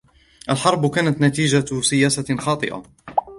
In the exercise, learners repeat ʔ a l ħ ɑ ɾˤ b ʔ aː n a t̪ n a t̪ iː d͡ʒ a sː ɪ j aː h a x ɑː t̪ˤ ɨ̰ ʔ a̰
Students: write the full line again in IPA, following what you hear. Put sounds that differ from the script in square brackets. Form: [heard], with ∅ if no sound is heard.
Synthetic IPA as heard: ʔ a l ħ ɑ ɾˤ b [k] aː n a t̪ n a t̪ iː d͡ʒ a [s] ɪ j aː [s] a x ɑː t̪ˤ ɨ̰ ʔ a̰